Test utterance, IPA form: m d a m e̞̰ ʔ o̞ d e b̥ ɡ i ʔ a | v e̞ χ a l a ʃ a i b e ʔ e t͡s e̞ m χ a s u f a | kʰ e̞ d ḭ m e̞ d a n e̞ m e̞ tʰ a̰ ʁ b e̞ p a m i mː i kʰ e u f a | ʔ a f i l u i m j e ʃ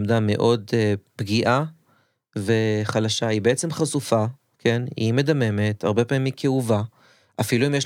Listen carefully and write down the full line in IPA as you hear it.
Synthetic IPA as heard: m d a m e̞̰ ʔ o̞ d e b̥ ɡ i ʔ a | v e̞ χ a l a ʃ a i b e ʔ e t͡s e̞ m χ a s u f a | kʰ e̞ n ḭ m e̞ d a m e̞ m e̞ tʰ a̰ ʁ b e̞ p a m i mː i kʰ e u v a | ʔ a f i l u i m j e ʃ